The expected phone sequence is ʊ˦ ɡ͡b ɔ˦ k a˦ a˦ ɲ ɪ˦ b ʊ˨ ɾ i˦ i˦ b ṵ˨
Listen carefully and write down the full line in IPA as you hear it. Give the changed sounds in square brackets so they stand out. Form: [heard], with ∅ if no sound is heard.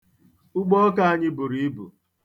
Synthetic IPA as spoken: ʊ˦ ɡ͡b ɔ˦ k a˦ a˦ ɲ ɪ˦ b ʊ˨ ɾ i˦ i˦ b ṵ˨